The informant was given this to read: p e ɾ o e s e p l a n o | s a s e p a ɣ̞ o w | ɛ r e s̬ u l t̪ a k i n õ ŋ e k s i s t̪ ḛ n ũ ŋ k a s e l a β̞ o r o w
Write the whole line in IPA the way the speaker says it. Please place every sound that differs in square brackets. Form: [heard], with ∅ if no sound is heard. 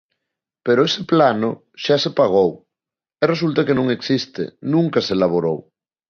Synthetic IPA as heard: p e ɾ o e s e p l a n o | [ʃ] a s e p a ɣ̞ o w | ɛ r e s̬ u l t̪ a k [e] n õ ŋ e k s i s t̪ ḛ n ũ ŋ k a s e l a β̞ o [ɾ] o w